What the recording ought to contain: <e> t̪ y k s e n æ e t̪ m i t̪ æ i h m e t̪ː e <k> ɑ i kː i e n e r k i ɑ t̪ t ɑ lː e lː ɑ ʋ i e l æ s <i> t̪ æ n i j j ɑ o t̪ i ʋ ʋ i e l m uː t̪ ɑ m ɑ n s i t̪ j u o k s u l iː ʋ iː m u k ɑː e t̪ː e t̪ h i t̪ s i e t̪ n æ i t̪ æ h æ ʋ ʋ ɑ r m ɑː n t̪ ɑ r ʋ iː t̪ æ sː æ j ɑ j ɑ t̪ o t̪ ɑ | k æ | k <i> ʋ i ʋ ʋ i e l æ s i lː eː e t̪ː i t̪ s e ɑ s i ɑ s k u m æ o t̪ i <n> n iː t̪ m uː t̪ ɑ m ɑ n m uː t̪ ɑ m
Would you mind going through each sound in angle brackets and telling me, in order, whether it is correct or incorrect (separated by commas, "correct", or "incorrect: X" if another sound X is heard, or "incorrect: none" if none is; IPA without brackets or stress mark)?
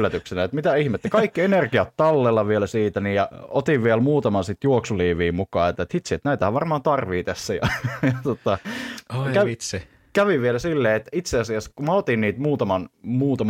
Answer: incorrect: æ, correct, incorrect: iː, incorrect: æ, correct